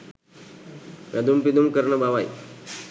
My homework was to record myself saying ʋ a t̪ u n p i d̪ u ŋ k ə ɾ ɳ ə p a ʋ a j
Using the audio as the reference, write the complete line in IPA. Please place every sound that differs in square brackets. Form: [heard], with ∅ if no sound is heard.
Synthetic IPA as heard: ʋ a [d̪] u [m] p i d̪ u [m] k ə ɾ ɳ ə [b] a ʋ a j